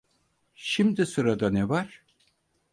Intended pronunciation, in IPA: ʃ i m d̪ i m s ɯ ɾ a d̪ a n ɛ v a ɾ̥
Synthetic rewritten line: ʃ i m d̪ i s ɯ ɾ a d̪ a n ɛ v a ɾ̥